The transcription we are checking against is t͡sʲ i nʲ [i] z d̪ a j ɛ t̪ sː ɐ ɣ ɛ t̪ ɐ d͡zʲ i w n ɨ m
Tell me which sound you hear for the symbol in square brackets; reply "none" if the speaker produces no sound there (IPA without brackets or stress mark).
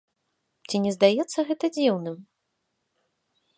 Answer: ɛ